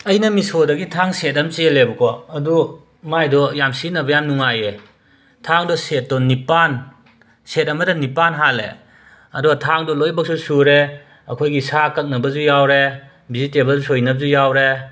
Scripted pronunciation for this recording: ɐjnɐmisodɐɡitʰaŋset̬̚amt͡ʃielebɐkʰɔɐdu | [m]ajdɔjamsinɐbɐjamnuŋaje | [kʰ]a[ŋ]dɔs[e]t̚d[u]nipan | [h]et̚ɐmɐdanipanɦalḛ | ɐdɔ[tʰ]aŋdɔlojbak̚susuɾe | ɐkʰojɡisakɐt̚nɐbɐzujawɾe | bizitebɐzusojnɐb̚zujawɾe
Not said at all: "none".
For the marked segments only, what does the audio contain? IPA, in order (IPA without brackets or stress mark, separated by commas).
m, tʰ, ŋ, e, ɔ, s, tʰ